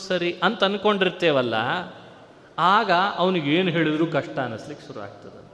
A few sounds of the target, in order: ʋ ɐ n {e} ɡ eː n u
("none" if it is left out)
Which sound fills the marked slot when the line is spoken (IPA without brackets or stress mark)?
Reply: i